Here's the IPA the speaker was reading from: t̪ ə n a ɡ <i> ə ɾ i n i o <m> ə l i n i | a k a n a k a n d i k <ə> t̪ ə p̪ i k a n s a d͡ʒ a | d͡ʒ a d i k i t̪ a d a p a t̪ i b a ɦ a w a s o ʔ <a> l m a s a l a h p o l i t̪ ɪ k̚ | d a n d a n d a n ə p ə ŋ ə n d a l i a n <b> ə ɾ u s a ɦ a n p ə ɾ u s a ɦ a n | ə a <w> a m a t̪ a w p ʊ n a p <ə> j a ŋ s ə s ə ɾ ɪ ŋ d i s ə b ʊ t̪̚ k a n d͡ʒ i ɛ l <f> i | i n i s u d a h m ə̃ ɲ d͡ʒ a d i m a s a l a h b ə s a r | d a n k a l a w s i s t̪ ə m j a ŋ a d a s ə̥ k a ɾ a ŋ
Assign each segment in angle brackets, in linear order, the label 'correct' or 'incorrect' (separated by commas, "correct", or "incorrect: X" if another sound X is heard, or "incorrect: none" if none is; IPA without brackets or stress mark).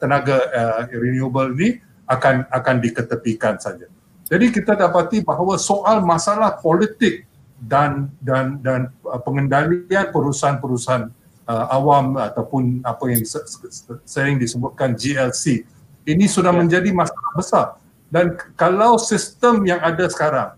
incorrect: a, incorrect: b, correct, correct, incorrect: p, correct, incorrect: a, incorrect: s